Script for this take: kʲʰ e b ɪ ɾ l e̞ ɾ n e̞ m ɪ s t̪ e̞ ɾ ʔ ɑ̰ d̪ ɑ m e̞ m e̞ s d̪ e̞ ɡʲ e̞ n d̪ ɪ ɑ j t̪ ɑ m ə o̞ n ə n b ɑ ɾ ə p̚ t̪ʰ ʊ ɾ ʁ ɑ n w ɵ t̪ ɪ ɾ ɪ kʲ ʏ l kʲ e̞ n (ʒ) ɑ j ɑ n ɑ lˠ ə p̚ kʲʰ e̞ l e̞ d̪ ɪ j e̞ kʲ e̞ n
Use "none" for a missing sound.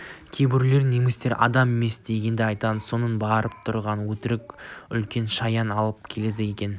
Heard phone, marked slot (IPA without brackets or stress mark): ʃ